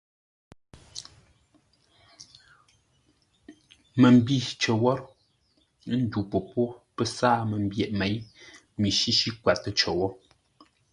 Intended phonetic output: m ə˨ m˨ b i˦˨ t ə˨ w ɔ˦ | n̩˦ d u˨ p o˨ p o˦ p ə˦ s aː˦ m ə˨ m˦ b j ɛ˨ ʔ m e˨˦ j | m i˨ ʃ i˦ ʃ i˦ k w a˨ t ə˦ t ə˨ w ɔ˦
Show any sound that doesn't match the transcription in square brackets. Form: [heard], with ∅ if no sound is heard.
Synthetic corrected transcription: m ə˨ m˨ b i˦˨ [t͡ʃ] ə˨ w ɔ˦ | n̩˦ d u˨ p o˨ p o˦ p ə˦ s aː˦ m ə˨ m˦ b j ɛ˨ ʔ m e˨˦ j | m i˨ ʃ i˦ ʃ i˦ k w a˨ t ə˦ [t͡ʃ] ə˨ w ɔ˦